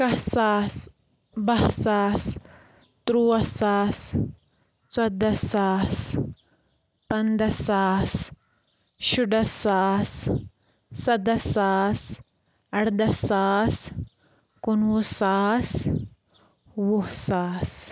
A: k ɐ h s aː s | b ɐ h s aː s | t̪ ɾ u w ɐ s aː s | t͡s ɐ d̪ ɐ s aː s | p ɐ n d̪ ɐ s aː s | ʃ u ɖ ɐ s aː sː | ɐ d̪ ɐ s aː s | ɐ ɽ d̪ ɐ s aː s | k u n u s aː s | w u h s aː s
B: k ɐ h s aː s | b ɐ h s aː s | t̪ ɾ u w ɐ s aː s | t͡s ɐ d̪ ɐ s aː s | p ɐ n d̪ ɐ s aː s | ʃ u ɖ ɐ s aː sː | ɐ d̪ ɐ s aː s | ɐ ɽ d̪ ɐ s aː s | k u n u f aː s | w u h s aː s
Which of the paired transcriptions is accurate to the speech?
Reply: A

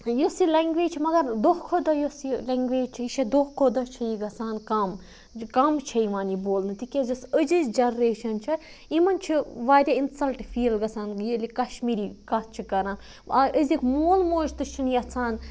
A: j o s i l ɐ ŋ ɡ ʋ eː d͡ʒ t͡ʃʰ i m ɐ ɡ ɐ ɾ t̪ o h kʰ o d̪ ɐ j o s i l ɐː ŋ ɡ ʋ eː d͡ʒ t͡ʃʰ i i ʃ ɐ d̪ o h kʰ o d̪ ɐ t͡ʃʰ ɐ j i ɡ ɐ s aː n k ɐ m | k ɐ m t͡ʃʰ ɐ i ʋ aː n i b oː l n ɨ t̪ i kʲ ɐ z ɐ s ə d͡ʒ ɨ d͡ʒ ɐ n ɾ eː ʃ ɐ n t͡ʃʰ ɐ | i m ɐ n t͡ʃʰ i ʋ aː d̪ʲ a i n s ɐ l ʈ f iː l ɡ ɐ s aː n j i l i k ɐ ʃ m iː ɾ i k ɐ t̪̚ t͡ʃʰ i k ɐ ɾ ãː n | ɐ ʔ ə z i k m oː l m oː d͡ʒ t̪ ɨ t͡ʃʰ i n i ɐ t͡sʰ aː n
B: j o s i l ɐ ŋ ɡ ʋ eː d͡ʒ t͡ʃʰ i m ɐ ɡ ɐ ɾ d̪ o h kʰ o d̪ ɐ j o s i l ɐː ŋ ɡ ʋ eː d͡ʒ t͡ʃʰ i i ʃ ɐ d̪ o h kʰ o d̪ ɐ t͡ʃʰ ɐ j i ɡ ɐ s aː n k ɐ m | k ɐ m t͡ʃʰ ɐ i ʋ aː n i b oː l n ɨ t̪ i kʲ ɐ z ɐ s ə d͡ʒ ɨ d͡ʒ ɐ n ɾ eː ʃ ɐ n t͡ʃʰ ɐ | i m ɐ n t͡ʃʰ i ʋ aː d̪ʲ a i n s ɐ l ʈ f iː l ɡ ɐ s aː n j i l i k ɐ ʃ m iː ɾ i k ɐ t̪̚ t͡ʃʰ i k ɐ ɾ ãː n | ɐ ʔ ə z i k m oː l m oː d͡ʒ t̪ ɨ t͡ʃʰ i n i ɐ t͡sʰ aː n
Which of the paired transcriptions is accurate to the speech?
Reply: B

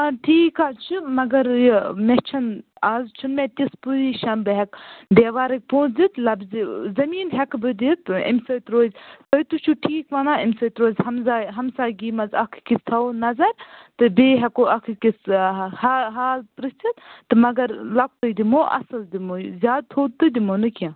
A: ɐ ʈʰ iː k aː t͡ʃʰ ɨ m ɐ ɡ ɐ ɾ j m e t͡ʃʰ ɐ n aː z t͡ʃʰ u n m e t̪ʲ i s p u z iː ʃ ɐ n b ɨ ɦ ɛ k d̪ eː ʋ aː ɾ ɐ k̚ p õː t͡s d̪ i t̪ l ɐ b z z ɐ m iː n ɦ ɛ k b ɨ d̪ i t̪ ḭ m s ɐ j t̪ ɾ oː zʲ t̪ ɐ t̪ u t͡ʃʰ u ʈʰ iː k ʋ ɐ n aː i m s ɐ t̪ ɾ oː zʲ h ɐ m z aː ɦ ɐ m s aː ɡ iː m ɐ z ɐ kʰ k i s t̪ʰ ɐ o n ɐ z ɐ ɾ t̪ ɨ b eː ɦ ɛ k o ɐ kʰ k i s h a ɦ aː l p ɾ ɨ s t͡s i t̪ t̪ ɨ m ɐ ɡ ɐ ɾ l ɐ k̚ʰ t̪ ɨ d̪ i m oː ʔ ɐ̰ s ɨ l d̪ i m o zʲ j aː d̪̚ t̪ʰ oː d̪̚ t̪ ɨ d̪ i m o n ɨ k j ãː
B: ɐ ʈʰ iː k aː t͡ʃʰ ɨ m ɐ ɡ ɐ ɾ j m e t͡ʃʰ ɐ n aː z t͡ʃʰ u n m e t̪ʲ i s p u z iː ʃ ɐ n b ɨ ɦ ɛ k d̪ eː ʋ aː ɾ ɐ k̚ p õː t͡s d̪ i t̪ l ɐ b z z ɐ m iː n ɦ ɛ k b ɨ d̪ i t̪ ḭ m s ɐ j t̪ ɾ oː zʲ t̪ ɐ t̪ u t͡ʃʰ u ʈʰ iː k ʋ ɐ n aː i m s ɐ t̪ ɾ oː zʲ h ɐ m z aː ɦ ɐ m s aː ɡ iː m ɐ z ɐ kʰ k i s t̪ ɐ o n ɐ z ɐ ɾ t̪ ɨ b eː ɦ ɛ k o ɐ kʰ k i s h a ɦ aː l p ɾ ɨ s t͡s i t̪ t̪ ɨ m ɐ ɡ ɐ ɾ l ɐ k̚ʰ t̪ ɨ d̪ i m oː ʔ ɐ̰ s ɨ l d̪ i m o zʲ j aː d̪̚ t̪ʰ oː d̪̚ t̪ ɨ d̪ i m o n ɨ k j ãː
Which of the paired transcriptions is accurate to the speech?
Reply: A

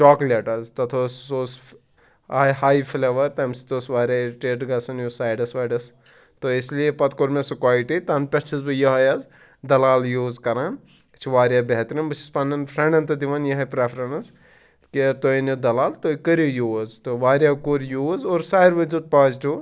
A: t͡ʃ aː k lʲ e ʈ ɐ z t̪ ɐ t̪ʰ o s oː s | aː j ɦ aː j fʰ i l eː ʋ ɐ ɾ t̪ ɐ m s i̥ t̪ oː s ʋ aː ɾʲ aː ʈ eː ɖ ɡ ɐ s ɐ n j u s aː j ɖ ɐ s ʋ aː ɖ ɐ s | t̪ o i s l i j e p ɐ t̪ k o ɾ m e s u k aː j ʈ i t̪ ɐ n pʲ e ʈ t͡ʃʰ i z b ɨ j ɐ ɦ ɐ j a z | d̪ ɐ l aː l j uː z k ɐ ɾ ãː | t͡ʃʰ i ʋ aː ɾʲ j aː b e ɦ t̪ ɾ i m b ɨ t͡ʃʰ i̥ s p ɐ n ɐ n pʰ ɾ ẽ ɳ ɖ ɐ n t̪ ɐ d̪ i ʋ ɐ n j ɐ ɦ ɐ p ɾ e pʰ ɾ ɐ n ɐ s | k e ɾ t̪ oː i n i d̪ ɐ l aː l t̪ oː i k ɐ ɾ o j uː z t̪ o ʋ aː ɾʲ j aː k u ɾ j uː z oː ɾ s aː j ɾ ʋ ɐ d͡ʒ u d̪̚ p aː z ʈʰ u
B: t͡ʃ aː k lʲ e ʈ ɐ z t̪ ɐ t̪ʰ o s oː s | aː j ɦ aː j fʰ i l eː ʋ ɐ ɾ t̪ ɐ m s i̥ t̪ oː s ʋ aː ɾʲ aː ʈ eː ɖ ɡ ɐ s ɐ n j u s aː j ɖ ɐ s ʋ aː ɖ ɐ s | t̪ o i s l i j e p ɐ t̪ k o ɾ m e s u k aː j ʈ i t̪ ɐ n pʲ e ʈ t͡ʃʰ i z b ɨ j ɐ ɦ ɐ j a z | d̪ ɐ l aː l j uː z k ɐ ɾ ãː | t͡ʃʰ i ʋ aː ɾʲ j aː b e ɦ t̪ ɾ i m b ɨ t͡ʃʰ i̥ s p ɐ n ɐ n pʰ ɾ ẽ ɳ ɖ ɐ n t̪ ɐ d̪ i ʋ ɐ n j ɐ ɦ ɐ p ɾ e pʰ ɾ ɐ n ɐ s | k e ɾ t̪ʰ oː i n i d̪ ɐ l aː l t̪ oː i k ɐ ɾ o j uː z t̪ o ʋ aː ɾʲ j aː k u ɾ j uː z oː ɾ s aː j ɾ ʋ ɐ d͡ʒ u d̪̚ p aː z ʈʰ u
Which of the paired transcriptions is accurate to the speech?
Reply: A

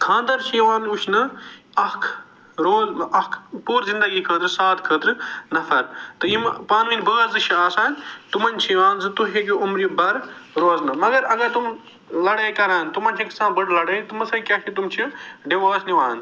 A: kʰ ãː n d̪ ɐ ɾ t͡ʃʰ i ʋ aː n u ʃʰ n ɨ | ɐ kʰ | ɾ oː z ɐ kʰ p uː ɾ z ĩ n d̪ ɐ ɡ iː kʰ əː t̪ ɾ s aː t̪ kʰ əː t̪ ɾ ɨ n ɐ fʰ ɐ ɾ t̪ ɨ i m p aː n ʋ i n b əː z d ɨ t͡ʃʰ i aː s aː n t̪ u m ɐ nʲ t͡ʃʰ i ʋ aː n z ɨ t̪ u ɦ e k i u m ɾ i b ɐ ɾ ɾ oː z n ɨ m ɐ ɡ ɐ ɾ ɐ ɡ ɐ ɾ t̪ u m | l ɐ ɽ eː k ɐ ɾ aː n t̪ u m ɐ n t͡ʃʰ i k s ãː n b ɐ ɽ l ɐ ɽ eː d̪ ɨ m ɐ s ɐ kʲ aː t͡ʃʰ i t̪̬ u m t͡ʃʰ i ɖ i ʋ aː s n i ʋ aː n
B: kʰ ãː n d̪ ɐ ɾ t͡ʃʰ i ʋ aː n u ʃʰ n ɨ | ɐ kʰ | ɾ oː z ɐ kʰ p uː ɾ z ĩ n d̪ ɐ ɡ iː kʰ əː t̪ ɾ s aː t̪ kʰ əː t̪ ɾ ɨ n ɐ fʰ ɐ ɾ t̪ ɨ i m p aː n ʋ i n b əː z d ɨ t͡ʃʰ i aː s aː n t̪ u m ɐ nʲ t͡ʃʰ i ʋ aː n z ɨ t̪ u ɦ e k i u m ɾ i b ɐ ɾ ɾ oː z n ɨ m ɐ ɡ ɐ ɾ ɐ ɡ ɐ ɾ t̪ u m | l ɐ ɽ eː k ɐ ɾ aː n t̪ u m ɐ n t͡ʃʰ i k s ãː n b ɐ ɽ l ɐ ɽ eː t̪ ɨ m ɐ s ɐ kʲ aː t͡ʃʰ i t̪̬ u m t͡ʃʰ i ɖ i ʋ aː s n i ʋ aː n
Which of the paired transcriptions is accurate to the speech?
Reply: B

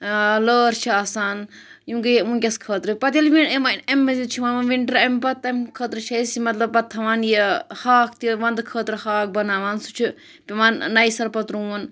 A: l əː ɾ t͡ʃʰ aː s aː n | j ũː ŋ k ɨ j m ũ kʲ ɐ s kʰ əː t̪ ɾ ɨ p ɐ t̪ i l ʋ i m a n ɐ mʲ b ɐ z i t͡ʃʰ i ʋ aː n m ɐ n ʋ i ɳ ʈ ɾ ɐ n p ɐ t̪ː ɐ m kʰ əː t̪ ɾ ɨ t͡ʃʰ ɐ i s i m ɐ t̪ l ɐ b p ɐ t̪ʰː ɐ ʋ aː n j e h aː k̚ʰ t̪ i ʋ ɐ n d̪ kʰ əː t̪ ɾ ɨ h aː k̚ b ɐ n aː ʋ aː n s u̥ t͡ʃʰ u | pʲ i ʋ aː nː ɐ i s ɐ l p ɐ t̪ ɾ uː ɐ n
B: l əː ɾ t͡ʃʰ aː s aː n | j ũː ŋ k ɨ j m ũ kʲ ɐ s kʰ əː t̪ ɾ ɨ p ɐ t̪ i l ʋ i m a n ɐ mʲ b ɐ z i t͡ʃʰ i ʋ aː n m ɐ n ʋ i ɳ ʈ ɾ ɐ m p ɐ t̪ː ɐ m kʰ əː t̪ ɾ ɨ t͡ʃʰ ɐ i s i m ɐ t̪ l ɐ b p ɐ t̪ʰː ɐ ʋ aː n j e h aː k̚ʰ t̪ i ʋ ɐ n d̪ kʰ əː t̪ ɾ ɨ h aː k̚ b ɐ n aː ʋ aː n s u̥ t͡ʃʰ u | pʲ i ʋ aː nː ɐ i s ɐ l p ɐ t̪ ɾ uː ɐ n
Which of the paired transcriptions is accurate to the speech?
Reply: B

